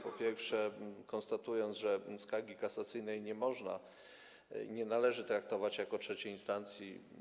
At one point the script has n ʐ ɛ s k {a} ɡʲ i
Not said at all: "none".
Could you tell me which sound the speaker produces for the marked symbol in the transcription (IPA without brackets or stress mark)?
a